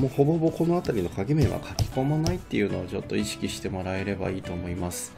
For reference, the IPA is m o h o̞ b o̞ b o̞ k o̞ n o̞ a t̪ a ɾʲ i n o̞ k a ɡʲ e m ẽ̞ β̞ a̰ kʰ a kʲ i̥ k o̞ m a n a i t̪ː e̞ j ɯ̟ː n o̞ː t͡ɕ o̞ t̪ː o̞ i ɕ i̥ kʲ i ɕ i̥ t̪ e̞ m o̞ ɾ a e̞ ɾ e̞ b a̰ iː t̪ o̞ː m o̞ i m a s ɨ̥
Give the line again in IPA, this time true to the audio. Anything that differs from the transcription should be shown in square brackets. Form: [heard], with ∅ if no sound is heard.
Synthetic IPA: m o h o̞ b o̞ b o̞ k o̞ n o̞ a t̪ a ɾʲ i n o̞ k a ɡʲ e m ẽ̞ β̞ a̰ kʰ a kʲ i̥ k o̞ m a n a i t̪ː e̞ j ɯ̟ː n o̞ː t͡ɕ o̞ t̪ː o̞ i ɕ i̥ kʲ i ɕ i̥ t̪ e̞ m o̞ ɾ a e̞ ɾ e̞ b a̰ iː t̪ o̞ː m o̞ i m a s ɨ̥

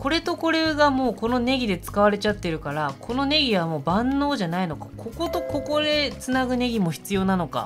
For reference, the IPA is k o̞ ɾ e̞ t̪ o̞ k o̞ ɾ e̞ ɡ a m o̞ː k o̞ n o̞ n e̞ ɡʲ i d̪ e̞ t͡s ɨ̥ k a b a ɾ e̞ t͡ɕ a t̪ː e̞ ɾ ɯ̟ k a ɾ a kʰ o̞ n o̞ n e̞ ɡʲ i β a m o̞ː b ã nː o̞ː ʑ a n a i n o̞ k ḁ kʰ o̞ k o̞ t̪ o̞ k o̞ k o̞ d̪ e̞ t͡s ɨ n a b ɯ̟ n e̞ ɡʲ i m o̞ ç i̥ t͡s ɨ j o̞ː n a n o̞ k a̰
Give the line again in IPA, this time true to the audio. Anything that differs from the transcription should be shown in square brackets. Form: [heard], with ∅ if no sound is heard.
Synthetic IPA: k o̞ ɾ e̞ t̪ o̞ k o̞ ɾ e̞ ɡ a m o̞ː k o̞ n o̞ n e̞ ɡʲ i d̪ e̞ t͡s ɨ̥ k a [β] a ɾ e̞ t͡ɕ a t̪ː e̞ ɾ ɯ̟ k a ɾ a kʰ o̞ n o̞ n e̞ ɡʲ i β a m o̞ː b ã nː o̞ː ʑ a n a i n o̞ k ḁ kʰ o̞ k o̞ t̪ o̞ k o̞ k o̞ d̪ e̞ t͡s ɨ n a [ɡ] ɯ̟ n e̞ ɡʲ i m o̞ ç i̥ t͡s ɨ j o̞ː n a n o̞ k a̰

